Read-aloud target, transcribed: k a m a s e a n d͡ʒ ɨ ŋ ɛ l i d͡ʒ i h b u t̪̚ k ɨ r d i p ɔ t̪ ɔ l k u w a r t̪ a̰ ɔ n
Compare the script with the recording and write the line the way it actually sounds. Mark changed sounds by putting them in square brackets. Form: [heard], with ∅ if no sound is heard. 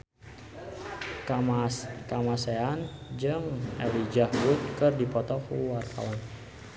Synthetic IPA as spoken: k a m a s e a n d͡ʒ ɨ ŋ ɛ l i d͡ʒ [a] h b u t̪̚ k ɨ r d i p ɔ t̪ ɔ [∅] k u w a r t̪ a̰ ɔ n